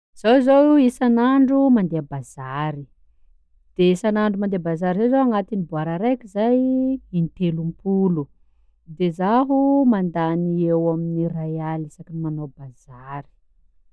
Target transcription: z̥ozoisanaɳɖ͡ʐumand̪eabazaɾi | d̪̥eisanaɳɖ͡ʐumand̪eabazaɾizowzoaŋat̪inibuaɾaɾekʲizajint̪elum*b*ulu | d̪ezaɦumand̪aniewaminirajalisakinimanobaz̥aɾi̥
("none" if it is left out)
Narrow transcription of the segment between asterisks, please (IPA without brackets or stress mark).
p